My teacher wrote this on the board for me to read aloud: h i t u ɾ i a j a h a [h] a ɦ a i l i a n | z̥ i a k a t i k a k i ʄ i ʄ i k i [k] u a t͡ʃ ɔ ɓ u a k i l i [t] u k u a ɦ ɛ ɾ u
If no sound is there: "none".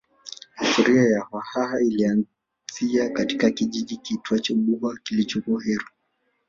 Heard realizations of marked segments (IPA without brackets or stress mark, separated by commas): h, t, t͡ʃ